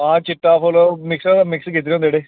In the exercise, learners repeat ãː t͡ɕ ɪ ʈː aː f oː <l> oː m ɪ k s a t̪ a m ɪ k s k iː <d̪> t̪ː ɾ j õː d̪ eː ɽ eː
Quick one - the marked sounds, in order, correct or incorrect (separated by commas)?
correct, incorrect